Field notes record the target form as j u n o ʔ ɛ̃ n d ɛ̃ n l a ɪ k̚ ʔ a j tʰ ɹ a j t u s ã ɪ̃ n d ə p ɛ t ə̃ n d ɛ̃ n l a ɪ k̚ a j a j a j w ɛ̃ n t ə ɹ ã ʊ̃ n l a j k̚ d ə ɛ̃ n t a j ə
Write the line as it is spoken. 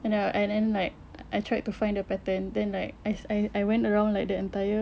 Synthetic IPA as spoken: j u n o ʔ ɛ̃ n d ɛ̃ n l a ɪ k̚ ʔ a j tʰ ɹ a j t u f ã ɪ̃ n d ə p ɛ t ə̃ n d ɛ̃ n l a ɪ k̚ a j a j a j w ɛ̃ n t ə ɹ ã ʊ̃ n l a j k̚ d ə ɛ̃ n t a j ə